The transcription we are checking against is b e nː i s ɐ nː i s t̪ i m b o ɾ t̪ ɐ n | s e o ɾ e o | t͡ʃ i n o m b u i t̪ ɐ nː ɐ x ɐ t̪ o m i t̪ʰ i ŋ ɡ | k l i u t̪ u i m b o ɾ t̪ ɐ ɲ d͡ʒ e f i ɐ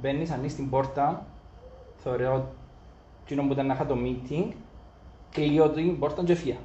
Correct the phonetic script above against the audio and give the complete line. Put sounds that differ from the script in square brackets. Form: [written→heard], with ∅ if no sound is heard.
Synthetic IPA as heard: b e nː i s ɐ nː i s t̪ i m b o ɾ t̪ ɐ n | [s→θ] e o ɾ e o | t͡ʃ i n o m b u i t̪ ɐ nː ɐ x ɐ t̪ o m i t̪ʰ i ŋ ɡ | k l i [u→o] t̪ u i m b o ɾ t̪ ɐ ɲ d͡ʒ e f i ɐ